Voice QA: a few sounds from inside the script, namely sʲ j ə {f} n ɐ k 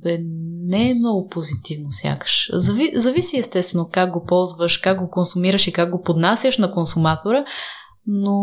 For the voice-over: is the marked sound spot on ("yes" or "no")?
no